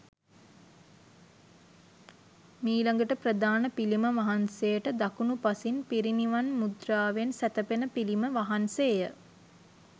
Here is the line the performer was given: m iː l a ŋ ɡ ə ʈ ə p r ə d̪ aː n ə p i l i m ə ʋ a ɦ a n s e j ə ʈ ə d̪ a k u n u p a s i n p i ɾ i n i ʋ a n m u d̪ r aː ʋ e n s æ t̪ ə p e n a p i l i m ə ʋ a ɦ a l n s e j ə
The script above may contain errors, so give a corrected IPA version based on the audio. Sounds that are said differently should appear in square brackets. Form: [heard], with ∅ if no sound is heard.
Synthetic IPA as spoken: m iː l a ŋ ɡ ə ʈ ə p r ə d̪ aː n ə p i l i m ə ʋ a ɦ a n s e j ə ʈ ə d̪ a k u n u p a s i n p i ɾ i n i ʋ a n m u d̪ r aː ʋ e n s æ t̪ ə p e n [ə] p i l i m ə ʋ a ɦ a [∅] n s e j ə

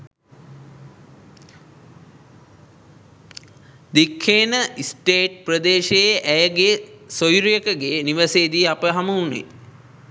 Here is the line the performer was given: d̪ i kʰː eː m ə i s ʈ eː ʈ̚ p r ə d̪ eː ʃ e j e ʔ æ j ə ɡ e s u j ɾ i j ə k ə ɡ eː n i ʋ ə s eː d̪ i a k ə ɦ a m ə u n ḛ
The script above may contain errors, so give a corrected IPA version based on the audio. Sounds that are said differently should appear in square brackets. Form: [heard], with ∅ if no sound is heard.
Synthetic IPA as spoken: d̪ i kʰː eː [n] ə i s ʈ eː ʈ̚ p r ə d̪ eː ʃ e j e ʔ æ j ə ɡ e s [o] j ɾ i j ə k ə ɡ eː n i ʋ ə s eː d̪ i a [p] ə ɦ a m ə u n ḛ

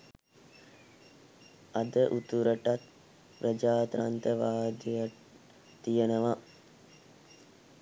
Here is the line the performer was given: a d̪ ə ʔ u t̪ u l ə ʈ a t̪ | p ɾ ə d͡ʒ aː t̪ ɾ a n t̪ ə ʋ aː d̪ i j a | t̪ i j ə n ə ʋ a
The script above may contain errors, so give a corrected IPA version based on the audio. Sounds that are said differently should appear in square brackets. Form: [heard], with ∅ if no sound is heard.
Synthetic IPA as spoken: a d̪ ə ʔ u t̪ u [ɾ] ə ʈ a t̪ | p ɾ ə d͡ʒ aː t̪ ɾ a n t̪ ə ʋ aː d̪ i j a | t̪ i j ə n ə ʋ a

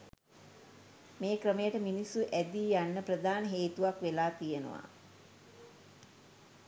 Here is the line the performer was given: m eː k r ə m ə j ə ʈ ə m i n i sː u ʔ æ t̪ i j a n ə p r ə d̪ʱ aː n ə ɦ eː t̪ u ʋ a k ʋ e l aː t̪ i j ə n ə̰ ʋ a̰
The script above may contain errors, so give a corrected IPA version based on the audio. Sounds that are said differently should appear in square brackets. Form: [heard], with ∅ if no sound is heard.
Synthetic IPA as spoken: m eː k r ə m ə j ə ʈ ə m i n i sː u ʔ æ [d̪] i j a [nː] ə p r ə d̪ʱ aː n ə ɦ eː t̪ u ʋ a k ʋ e l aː t̪ i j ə n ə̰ ʋ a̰

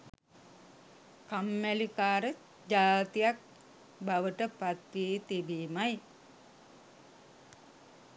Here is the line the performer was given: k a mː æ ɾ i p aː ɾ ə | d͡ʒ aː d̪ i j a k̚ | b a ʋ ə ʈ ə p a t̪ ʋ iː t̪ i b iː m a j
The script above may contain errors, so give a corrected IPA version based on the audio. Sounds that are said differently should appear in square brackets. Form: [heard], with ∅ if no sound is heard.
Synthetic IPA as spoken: k a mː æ [l] i [k] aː ɾ ə | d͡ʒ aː [t̪] i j a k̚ | b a ʋ ə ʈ ə p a t̪ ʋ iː t̪ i b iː m a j

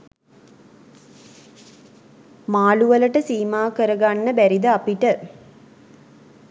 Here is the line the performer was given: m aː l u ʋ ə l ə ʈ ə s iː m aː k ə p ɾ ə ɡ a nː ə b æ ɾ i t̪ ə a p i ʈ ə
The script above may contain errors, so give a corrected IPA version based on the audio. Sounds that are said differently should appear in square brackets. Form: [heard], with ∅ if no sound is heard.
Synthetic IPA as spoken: m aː l u ʋ ə l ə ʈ ə s iː m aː k ə [∅] ɾ ə ɡ a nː ə b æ ɾ i [d̪] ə a p i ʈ ə

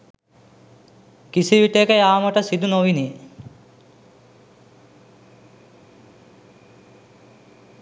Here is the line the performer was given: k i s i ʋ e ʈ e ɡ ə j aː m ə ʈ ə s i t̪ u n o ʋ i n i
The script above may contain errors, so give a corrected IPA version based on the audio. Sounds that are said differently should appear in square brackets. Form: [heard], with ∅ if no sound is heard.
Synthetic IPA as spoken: k i s i ʋ [i] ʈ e [k] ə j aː m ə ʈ ə s i [d̪] u n o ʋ i n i

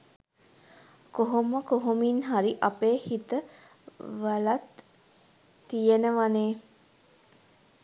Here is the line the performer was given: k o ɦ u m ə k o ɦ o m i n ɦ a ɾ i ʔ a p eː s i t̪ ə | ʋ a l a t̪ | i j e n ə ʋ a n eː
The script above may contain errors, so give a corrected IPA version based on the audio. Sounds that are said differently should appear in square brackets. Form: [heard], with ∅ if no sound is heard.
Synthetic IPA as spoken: k o ɦ [o] m ə k o ɦ o m i n ɦ a ɾ i ʔ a p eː [h] i t̪ ə | ʋ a l a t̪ | i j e n ə ʋ a n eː

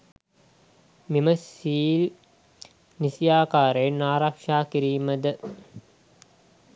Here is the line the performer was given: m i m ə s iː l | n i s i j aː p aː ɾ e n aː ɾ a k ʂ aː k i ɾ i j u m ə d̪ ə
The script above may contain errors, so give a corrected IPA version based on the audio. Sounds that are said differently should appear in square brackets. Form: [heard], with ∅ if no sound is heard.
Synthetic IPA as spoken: m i m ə s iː l | n i s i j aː [k] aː ɾ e n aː ɾ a k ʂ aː k i ɾ i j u m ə d̪ ə

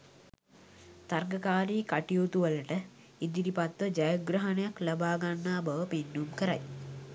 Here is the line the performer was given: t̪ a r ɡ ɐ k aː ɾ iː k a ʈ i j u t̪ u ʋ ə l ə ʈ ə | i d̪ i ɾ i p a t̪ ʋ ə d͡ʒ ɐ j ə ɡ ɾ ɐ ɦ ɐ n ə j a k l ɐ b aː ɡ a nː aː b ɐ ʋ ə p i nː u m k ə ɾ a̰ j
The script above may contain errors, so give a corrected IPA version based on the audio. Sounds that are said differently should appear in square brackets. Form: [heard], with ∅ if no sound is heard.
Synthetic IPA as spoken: t̪ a r ɡ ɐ k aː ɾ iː k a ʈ i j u t̪ u ʋ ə l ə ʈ ə | i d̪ i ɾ i p a t̪ ʋ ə d͡ʒ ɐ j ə ɡ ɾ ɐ ɦ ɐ n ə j a k l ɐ b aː ɡ a nː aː b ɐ ʋ ə p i nː u m k ə ɾ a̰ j

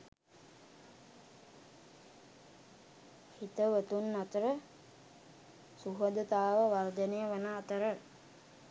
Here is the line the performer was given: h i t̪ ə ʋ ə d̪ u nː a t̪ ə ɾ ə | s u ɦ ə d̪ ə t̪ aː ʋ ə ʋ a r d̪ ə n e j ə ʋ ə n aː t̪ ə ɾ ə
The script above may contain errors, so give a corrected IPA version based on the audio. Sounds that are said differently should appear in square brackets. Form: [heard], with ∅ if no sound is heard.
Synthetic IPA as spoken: h i t̪ ə ʋ ə [t̪] u nː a t̪ ə ɾ ə | s u ɦ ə d̪ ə t̪ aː ʋ ə ʋ a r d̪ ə n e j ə ʋ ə n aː t̪ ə ɾ ə

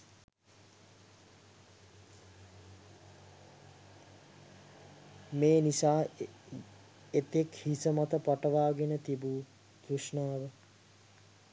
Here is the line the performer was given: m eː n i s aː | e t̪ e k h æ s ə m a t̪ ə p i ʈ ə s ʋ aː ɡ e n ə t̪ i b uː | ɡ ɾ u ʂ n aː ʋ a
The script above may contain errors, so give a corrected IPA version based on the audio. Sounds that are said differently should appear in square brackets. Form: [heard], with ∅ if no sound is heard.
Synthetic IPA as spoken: m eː n i s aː | e t̪ e k h [i] s ə m a t̪ ə p [a] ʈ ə [∅] ʋ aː ɡ e n ə t̪ i b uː | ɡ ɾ u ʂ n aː ʋ [ə]

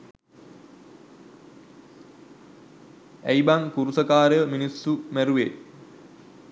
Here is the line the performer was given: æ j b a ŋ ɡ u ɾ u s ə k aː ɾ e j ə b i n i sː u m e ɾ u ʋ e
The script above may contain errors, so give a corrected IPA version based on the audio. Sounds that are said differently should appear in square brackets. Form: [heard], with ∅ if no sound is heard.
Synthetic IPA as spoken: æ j b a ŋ [k] u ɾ u s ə k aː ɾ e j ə [m] i n i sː u m [æ] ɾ u ʋ e

